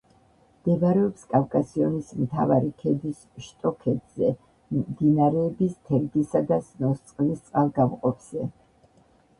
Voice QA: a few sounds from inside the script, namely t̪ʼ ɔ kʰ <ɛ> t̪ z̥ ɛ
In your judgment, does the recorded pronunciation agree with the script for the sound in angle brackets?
yes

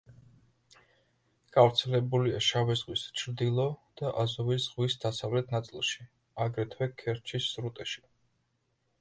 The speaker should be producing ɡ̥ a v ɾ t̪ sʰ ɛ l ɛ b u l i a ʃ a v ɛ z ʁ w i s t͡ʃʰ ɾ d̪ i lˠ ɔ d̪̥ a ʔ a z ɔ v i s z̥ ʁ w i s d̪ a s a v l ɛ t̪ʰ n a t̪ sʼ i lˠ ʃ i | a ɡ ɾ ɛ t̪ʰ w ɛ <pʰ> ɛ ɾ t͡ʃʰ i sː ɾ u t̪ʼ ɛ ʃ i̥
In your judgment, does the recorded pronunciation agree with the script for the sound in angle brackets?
no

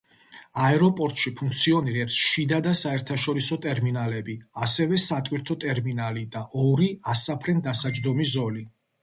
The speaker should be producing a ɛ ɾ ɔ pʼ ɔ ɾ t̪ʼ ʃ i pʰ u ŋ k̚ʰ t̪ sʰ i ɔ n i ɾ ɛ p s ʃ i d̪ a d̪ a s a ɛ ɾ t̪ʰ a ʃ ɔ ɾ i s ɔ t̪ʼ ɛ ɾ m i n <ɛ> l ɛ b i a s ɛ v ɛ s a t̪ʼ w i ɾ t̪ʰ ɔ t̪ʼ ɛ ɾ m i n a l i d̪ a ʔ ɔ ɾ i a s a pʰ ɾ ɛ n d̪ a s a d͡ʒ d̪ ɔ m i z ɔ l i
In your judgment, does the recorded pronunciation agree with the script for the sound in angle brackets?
no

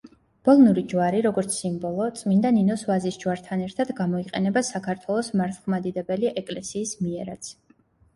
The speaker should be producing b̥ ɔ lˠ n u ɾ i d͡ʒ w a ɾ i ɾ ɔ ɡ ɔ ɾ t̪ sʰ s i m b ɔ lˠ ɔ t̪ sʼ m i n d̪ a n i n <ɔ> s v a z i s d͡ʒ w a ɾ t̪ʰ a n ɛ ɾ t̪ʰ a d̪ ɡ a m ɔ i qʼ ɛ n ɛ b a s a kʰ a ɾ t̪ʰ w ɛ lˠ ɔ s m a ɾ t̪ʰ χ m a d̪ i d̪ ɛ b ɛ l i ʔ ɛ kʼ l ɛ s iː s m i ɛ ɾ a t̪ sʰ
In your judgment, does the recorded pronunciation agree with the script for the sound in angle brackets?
yes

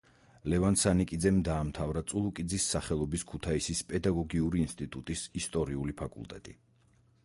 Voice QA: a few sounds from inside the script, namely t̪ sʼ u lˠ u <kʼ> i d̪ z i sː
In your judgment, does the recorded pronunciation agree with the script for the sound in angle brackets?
yes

